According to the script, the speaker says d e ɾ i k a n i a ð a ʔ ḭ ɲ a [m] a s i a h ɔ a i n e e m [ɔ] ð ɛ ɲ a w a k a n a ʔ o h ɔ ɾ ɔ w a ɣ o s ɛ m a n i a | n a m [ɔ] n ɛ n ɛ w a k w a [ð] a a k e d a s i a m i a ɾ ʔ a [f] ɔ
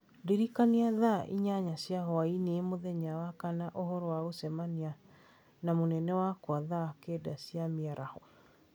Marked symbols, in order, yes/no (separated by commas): no, no, no, yes, no